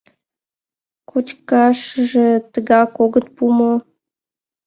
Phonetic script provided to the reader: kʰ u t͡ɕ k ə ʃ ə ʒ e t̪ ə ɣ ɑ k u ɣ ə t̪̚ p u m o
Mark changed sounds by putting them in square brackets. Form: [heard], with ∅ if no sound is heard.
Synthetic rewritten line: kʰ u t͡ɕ k [ɑ] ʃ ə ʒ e t̪ ə ɣ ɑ k [o] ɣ ə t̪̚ p u m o

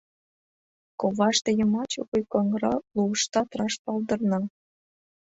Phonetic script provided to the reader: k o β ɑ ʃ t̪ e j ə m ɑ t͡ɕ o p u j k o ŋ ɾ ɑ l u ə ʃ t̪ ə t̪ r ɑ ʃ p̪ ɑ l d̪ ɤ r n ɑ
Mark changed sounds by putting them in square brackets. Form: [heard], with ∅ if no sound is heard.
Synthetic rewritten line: k o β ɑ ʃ t̪ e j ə m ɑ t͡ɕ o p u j k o ŋ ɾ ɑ l u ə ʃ t̪ [ɑ] t̪ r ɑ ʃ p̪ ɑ l d̪ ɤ r n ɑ

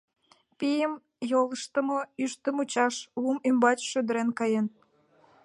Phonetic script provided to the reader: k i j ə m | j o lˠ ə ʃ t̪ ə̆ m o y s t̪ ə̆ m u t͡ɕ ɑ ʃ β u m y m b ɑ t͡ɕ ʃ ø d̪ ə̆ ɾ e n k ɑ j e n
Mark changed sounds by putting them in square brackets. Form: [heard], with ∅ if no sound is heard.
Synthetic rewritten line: [p] i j ə m | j o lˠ ə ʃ t̪ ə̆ m o y [ʃ] t̪ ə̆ m u t͡ɕ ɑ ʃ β u m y m b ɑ t͡ɕ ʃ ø d̪ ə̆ ɾ e n k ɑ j e n

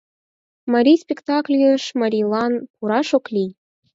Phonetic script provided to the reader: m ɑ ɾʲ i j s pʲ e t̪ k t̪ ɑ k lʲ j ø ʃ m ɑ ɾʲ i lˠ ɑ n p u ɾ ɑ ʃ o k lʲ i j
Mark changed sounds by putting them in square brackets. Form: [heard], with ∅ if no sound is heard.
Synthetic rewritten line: m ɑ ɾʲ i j s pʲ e [∅] k t̪ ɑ k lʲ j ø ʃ m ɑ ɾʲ i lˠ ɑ n p u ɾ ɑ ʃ o k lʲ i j

